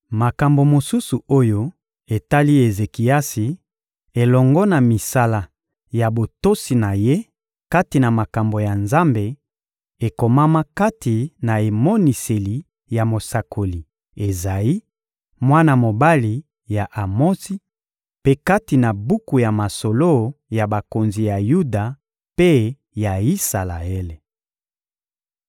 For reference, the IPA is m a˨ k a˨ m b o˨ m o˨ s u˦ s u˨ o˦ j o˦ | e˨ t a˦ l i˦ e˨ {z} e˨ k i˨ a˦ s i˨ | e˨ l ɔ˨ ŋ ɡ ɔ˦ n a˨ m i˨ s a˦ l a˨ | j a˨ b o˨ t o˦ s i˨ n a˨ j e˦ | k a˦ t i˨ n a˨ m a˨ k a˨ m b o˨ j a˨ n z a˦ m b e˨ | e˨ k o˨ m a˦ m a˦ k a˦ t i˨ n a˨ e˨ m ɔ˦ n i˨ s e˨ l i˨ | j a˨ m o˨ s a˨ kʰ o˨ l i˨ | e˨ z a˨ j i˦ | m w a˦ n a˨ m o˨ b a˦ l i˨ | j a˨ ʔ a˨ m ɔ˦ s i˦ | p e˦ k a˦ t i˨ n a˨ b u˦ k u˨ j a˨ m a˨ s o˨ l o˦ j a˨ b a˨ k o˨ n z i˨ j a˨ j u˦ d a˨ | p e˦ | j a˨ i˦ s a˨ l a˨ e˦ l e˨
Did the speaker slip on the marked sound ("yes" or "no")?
no